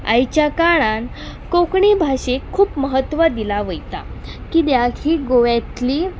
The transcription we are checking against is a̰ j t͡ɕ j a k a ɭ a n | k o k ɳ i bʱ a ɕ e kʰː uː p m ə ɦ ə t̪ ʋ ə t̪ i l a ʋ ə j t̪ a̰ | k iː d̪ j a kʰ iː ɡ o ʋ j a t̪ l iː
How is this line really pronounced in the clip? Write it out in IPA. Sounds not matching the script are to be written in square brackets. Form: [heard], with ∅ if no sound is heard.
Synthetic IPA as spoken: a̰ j t͡ɕ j a k a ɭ a n | k o k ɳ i bʱ a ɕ e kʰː uː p m ə ɦ ə t̪ ʋ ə [d̪] i l a ʋ ə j t̪ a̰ | k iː d̪ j a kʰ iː ɡ o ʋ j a t̪ l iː